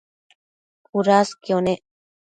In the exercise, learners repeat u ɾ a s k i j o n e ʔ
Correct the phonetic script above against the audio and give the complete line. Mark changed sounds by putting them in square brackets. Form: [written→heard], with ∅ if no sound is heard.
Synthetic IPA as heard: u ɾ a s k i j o n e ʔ